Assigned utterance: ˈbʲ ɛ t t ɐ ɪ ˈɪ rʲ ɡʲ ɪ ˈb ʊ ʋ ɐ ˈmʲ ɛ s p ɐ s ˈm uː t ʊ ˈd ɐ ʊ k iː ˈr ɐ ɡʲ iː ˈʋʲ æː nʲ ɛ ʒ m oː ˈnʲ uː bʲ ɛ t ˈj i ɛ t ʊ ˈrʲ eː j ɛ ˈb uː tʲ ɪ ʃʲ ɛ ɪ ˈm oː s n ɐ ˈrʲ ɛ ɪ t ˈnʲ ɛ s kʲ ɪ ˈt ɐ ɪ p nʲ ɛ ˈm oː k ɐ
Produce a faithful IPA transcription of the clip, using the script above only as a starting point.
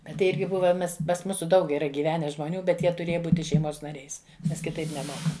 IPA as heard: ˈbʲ ɛ t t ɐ ɪ ˈɪ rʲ ɡʲ ɪ ˈb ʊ ʋ ɐ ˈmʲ ɛ s p ɐ s ˈm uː s ʊ ˈd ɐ ʊ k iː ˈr ɐ ɡʲ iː ˈʋʲ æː nʲ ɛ ʒ m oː ˈnʲ uː bʲ ɛ t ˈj i ɛ t ʊ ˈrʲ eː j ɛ ˈb uː tʲ ɪ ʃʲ ɛ ɪ ˈm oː s n ɐ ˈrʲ ɛ ɪ s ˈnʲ ɛ s kʲ ɪ ˈt ɐ ɪ p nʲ ɛ ˈm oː k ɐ